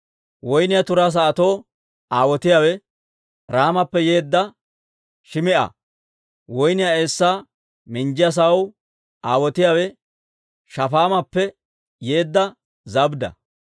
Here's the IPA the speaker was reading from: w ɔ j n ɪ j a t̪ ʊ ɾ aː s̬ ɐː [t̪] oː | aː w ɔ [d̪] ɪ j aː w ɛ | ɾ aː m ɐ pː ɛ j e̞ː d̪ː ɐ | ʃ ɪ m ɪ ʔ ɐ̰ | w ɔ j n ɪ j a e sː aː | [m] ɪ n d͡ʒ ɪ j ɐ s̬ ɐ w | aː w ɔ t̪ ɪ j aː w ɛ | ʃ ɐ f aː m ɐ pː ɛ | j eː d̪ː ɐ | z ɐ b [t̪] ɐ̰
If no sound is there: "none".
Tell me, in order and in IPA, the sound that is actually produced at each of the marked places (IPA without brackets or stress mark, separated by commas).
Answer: t̪, t̪, m, d̪